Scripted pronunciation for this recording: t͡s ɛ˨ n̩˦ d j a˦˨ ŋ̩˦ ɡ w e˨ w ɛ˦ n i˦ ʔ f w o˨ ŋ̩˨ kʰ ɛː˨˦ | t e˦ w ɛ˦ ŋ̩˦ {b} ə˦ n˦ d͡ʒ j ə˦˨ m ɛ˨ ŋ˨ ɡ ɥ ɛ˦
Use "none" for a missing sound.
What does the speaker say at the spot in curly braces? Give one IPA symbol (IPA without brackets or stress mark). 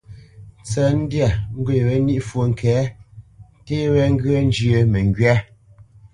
ɡ